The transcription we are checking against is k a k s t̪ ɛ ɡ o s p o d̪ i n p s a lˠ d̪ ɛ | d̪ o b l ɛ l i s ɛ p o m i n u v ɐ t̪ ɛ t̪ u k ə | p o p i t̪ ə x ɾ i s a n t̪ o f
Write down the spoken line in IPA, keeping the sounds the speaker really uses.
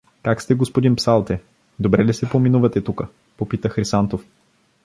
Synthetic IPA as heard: k a k s t̪ ɛ ɡ o s p o d̪ i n p s a lˠ t̪ ɛ | d̪ o b ɾ ɛ l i s ɛ p o m i n u v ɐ t̪ ɛ t̪ u k ə | p o p i t̪ ə x ɾ i s a n t̪ o f

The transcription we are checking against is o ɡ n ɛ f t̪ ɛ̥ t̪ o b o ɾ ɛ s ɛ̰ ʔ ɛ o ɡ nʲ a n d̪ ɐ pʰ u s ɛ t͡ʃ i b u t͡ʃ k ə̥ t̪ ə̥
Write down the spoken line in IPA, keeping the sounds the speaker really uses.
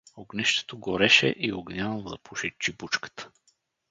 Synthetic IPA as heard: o ɡ n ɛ ʃ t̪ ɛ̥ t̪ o ɡ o ɾ ɛ ʃ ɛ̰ ʔ i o ɡ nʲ a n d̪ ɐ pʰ u ʃ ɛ t͡ʃ i b u t͡ʃ k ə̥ t̪ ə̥

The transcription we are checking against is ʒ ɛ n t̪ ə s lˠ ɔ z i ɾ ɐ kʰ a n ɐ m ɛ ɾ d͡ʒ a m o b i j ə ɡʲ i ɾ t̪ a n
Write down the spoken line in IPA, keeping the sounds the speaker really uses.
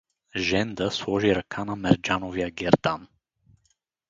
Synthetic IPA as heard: ʒ ɛ n d̪ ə s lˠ ɔ ʒ i ɾ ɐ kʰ a n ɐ m ɛ ɾ d͡ʒ a n o v i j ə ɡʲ ɛ ɾ d̪ a n

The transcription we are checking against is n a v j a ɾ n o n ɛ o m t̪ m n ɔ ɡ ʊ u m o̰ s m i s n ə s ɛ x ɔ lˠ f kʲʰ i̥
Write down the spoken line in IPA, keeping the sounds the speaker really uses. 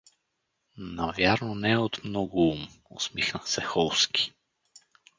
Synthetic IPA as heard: n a v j a ɾ n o n ɛ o t̪ m n ɔ ɡ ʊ u m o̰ s m i x n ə s ɛ x ɔ lˠ s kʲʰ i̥

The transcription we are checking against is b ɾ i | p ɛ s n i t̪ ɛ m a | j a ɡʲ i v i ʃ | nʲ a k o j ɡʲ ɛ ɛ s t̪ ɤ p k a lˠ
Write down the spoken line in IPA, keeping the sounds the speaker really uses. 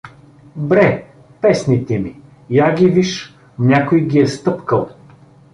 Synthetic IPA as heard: b ɾ ɛ | p ɛ s n i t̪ ɛ m i | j a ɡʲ i v i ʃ | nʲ a k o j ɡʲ i ɛ s t̪ ɤ p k ə lˠ

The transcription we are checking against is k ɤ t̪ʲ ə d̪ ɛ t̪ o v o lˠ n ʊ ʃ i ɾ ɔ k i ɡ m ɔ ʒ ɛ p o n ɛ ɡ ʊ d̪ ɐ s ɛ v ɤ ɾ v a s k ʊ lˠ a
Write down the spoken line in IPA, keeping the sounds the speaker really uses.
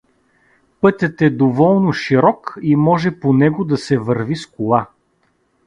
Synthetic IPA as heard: p ɤ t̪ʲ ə t̪ ɛ d̪ o v ɔ lˠ n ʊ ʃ i ɾ ɔ k i m ɔ ʒ ɛ p o n ɛ ɡ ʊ d̪ ɐ s ɛ v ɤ ɾ v i s k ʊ lˠ a

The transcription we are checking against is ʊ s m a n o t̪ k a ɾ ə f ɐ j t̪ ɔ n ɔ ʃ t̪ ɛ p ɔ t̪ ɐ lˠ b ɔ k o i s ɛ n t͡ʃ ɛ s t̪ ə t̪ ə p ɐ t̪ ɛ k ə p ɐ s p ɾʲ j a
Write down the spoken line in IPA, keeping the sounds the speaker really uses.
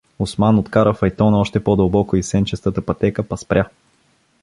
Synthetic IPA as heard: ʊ s m a n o t̪ k a ɾ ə f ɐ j t̪ ɔ n ɔ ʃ t̪ ɛ p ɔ d̪ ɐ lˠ b ɔ k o i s ɛ n t͡ʃ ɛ s t̪ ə t̪ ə p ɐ t̪ ɛ k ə p ɐ s p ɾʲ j a

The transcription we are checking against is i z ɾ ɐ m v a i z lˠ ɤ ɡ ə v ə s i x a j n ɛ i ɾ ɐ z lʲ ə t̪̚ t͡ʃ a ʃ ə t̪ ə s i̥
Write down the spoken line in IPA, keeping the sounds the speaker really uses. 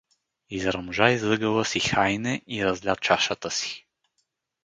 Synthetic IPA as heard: i z ɾ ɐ m ʒ a i z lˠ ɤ ɡ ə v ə s i x a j n ɛ i ɾ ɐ z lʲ a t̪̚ t͡ʃ a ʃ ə t̪ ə s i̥

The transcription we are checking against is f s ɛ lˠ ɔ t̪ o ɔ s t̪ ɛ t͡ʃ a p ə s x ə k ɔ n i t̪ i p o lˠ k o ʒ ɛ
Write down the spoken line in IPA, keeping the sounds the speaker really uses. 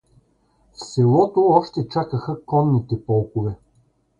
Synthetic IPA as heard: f s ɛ lˠ ɔ t̪ o ɔ ʃ t̪ ɛ t͡ʃ a k ə x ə k ɔ nː i t̪ ɛ p ɔ lˠ k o v ɛ

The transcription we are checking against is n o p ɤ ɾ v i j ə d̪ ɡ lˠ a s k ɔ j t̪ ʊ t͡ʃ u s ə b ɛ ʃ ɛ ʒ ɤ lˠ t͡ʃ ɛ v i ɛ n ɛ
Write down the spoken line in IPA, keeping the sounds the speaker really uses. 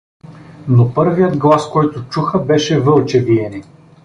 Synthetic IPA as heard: n o p ɤ ɾ v i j ə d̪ ɡ lˠ a s k ɔ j t̪ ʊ t͡ʃ u x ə b ɛ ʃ ɛ v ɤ lˠ t͡ʃ ɛ v i ɛ n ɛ

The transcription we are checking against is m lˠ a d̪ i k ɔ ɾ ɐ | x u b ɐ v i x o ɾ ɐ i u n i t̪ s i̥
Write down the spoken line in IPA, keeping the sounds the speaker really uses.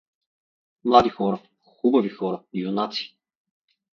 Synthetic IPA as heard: m lˠ a d̪ i x ɔ ɾ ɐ | x u b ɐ v i x ɔ ɾ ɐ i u n a t̪ s i̥

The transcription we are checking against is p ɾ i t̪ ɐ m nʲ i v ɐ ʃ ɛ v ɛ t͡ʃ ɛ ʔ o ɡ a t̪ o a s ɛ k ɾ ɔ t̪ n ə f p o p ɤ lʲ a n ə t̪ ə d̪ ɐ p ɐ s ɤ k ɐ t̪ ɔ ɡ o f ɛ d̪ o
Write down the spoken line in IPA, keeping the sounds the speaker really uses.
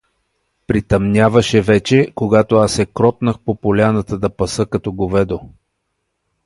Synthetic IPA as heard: p ɾ i t̪ ɐ m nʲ a v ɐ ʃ ɛ v ɛ t͡ʃ ɛ k o ɡ a t̪ o a s ɛ k ɾ ɔ t̪ n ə x p o p o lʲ a n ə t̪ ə d̪ ɐ p ɐ s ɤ k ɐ t̪ ɔ ɡ o v ɛ d̪ o

